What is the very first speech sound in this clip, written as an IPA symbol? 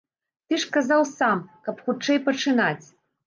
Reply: t̪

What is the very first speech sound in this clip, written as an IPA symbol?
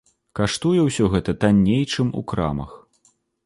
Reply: k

